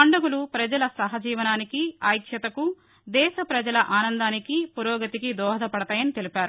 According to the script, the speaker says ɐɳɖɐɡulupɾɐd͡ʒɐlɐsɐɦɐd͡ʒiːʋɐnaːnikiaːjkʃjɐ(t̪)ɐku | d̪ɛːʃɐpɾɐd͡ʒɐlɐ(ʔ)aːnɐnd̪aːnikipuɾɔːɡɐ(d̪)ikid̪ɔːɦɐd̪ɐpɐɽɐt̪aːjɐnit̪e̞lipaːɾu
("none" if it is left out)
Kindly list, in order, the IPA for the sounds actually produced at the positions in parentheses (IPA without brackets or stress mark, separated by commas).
t̪, ʔ, t̪